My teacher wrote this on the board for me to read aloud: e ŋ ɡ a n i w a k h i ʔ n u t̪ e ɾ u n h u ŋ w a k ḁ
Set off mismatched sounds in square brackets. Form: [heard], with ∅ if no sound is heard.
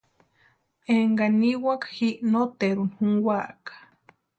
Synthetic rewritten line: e ŋ ɡ a n i w a k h i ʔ n [o] t̪ e ɾ u n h u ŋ w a k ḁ